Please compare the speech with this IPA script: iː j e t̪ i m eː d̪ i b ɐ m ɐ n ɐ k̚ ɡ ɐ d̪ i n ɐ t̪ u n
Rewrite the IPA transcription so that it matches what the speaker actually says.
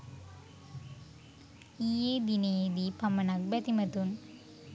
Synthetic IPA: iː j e d̪ i n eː d̪ i p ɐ m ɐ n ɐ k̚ b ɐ t̪ i m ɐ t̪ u n